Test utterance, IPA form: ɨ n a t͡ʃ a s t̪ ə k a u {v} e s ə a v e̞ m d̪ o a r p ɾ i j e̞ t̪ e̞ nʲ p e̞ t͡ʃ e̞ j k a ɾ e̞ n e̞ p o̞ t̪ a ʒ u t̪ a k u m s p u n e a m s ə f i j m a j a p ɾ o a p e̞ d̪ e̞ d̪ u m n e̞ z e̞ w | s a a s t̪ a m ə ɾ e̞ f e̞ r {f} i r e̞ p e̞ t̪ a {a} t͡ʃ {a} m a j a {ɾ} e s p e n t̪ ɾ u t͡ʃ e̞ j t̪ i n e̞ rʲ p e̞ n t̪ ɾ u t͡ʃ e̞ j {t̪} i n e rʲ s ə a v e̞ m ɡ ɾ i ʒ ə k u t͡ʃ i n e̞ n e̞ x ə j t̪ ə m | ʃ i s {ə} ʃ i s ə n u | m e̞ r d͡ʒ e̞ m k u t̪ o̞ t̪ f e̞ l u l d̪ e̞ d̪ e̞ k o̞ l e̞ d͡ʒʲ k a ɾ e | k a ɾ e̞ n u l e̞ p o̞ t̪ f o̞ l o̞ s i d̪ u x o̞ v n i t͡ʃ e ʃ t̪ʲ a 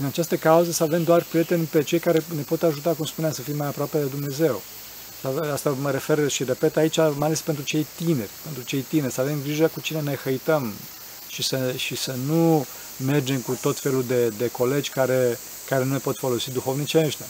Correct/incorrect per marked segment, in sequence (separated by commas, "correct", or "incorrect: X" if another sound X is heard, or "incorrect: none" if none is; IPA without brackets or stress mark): incorrect: z, incorrect: ʃ, incorrect: i, correct, incorrect: l, correct, correct